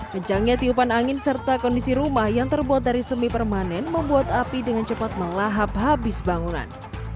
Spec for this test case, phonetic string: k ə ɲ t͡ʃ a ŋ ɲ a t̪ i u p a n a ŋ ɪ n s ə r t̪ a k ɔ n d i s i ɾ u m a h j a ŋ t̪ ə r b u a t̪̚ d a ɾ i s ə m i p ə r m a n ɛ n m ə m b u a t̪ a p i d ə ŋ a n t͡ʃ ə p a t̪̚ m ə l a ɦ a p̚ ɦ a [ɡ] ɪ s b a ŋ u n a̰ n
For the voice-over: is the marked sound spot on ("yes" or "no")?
no